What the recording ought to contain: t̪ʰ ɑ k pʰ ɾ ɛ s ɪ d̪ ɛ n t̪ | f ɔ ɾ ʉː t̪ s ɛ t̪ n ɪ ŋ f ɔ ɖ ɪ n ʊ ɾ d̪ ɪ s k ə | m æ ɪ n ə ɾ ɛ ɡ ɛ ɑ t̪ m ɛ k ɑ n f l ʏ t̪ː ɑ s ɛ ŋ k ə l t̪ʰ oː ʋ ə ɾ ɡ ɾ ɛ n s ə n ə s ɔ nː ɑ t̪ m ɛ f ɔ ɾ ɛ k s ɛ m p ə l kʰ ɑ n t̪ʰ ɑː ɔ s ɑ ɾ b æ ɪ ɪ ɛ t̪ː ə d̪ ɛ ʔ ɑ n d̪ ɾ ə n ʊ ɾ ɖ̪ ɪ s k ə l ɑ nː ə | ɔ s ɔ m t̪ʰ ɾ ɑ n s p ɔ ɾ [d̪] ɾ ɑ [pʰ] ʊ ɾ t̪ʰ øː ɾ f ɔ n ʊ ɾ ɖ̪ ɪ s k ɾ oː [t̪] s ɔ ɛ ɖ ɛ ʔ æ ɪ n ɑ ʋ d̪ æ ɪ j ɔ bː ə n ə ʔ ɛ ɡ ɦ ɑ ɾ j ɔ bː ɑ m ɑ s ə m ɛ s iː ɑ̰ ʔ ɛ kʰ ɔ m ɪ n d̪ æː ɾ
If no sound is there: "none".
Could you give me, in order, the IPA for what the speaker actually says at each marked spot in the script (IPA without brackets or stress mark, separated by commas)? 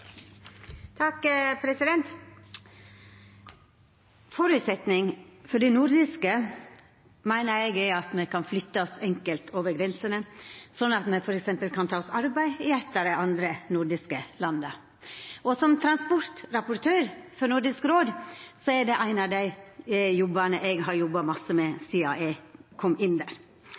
t̪, p, d̪